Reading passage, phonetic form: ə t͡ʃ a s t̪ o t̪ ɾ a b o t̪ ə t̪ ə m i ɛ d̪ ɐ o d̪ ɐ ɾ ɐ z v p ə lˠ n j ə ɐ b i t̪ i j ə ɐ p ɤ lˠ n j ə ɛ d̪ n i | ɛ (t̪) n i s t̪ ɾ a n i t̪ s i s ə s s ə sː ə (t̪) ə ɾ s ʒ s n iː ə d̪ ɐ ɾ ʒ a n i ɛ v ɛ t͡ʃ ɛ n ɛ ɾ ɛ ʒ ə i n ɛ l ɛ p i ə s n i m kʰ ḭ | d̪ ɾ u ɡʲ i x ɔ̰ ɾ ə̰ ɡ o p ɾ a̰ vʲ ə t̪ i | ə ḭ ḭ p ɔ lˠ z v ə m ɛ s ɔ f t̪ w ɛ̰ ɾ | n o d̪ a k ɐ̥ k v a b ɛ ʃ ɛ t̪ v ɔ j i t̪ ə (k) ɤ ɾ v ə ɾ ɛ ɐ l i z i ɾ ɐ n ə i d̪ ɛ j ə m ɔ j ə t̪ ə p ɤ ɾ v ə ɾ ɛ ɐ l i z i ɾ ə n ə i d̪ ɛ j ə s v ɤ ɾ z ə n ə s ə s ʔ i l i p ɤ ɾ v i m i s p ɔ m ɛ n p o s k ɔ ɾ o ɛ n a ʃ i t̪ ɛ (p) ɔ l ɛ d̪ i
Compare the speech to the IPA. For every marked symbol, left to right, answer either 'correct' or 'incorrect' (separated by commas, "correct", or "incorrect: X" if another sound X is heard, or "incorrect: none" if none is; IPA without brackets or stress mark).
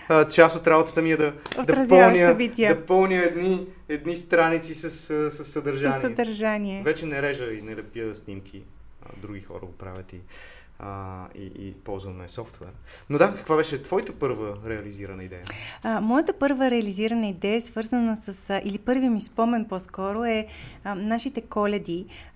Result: incorrect: d̪, incorrect: d̪, incorrect: p, incorrect: k